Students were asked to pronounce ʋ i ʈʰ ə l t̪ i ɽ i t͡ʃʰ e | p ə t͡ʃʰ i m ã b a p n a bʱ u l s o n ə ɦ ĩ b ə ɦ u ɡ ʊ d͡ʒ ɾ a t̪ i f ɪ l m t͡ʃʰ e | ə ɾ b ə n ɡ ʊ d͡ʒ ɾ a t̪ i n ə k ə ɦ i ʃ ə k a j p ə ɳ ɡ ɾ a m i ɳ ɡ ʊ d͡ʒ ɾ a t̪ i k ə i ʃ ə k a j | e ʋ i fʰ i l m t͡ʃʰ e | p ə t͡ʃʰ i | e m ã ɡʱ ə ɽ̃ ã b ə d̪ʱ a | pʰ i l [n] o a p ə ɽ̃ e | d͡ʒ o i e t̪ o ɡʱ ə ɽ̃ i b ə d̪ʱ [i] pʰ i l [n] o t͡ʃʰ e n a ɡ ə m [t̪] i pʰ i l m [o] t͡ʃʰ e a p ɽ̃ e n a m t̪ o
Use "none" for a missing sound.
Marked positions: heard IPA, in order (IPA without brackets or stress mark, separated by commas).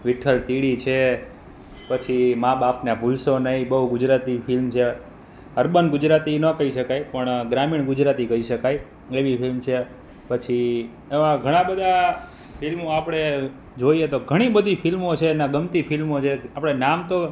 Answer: m, i, m, t̪, o